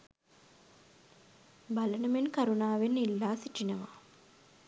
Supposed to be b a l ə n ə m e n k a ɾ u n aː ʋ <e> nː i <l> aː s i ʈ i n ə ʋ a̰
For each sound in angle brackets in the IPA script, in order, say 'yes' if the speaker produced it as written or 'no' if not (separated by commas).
yes, no